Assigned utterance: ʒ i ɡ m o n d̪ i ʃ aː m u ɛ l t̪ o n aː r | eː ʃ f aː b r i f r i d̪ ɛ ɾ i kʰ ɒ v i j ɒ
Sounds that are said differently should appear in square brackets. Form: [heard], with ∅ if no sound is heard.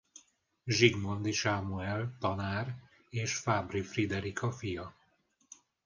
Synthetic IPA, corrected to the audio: ʒ i ɡ m o n d̪ i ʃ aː m u ɛ l t̪ [ɒ] n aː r | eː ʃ f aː b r i f r i d̪ ɛ ɾ i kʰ ɒ [f] i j ɒ